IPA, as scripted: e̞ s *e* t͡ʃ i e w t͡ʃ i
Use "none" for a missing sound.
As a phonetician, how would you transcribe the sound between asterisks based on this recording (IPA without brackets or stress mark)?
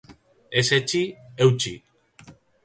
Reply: e